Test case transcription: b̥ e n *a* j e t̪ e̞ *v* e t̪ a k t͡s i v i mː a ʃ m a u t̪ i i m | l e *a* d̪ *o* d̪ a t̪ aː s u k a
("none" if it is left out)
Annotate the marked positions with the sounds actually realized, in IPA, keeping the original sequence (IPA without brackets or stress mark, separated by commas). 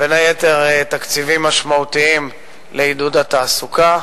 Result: a, ʁ, i, u